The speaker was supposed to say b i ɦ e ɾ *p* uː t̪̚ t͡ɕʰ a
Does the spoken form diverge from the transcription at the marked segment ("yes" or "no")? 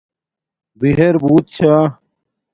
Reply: yes